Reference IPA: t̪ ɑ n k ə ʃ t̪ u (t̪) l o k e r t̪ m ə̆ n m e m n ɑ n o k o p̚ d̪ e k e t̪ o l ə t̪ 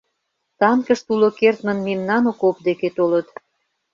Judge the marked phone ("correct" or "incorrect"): incorrect